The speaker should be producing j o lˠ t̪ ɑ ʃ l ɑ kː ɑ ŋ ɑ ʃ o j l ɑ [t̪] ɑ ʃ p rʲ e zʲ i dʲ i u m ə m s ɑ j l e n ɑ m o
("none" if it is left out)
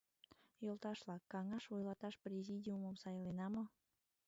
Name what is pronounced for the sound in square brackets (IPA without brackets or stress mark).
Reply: t̪